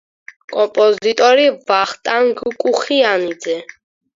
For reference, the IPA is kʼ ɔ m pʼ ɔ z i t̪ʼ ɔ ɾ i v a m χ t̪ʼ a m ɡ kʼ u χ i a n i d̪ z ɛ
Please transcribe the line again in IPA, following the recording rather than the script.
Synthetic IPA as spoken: kʼ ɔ m pʼ ɔ z i t̪ʼ ɔ ɾ i v a χ t̪ʼ a ŋ ɡ kʼ u χ i a n i d̪ z ɛ

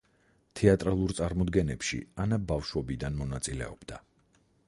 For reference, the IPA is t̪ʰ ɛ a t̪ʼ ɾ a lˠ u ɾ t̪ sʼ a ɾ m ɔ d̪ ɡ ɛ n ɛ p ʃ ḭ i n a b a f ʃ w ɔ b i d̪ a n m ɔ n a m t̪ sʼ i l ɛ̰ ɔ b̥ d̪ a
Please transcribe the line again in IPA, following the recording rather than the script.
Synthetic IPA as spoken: t̪ʰ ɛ a t̪ʼ ɾ a lˠ u ɾ t̪ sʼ a ɾ m ɔ d̪ ɡ ɛ n ɛ p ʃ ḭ a n a b a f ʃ w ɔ b i d̪ a n m ɔ n a t̪ sʼ i l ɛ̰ ɔ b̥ d̪ a

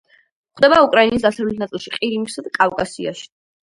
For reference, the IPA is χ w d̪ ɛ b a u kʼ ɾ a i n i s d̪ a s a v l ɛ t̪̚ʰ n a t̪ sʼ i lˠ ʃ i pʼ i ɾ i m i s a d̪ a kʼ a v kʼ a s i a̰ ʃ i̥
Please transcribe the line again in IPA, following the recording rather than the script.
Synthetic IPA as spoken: χ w d̪ ɛ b a u kʼ ɾ a i n i s d̪ a s a v l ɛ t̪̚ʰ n a t̪ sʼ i lˠ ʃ i qʼ i ɾ i m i s a d̪ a kʼ a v kʼ a s i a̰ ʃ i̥

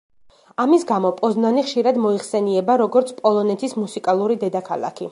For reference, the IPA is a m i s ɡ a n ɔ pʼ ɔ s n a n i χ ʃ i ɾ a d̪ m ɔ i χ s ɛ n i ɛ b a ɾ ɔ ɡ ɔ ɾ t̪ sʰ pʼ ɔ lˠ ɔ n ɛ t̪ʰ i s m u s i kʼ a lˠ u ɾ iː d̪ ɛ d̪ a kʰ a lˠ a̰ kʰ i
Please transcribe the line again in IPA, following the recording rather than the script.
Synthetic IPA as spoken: a m i s ɡ a m ɔ pʼ ɔ z n a n i χ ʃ i ɾ a d̪ m ɔ i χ s ɛ n i ɛ b a ɾ ɔ ɡ ɔ ɾ t̪ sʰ pʼ ɔ lˠ ɔ n ɛ t̪ʰ i s m u s i kʼ a lˠ u ɾ i d̪ ɛ d̪ a kʰ a lˠ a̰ kʰ i

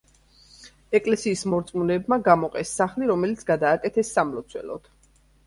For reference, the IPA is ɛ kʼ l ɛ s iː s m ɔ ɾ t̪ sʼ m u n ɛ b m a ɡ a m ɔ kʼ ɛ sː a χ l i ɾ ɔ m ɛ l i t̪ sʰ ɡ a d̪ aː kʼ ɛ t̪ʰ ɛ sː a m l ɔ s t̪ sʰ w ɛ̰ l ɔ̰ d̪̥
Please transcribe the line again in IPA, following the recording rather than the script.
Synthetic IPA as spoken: ɛ kʼ l ɛ s iː s m ɔ ɾ t̪ sʼ m u n ɛ b m a ɡ a m ɔ qʼ ɛ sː a χ l i ɾ ɔ m ɛ l i t̪ sʰ ɡ a d̪ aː kʼ ɛ t̪ʰ ɛ sː a m l ɔ t̪ sʰ w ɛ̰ l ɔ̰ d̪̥

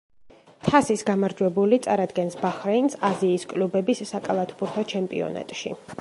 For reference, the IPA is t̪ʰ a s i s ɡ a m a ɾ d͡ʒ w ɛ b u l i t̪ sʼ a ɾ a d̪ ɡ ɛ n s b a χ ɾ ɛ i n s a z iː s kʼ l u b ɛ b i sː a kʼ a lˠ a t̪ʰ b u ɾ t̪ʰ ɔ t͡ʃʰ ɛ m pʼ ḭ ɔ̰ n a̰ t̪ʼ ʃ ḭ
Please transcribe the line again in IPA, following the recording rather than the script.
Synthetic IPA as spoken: t̪ʰ a s i s ɡ a m a ɾ d͡ʒ w ɛ b u l i t̪ sʼ a ɾ a d̪ ɡ ɛ n s b a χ ɾ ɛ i n s a z iː s kʼ l u b ɛ b i sː a kʼ a lˠ a t̪ʰ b u ɾ t̪ʰ ɔ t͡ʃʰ ɛ m pʼ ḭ ɔ̰ n a̰ t̪ʼ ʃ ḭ

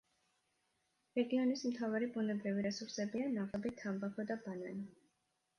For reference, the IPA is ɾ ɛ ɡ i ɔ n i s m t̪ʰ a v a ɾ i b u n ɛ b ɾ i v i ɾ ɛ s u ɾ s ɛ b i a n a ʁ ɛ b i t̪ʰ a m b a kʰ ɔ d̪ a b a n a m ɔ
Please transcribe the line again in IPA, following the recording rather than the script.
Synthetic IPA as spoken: ɾ ɛ ɡ i ɔ n i s m t̪ʰ a v a ɾ i b u n ɛ b ɾ i v i ɾ ɛ s u ɾ s ɛ b i a n a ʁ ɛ b i t̪ʰ a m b a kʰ ɔ d̪ a b a n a n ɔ

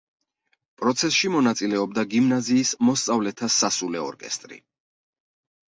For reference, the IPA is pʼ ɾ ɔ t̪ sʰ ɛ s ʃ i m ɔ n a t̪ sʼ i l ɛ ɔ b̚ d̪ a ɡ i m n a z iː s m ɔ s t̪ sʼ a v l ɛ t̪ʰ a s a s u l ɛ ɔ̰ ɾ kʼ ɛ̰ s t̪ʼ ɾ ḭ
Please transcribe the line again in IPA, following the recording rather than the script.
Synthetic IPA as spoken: pʼ ɾ ɔ t̪ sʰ ɛ s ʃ i m ɔ n a t̪ sʼ i l ɛ ɔ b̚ d̪ a ɡ i m n a z iː s m ɔ s t̪ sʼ a v l ɛ t̪ʰ a s a s u l ɛ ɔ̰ ɾ kʼ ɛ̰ s t̪ʼ ɾ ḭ

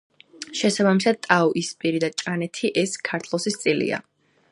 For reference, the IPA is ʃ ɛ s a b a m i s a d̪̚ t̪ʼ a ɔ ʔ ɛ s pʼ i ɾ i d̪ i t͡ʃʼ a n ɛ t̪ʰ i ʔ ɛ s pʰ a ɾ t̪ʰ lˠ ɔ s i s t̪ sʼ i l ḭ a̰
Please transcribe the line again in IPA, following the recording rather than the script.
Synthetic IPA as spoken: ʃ ɛ s a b a m i s a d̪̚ t̪ʼ a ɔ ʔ i s pʼ i ɾ i d̪ a t͡ʃʼ a n ɛ t̪ʰ i ʔ ɛ s kʰ a ɾ t̪ʰ lˠ ɔ s i s t̪ sʼ i l ḭ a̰

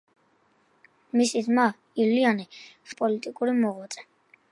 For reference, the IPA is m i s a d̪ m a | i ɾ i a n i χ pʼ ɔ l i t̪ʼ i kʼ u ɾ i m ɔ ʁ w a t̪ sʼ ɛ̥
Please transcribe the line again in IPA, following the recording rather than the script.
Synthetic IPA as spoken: m i s i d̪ m a | i l i a n i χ pʼ ɔ l i t̪ʼ i kʼ u ɾ i m ɔ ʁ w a t̪ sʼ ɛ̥

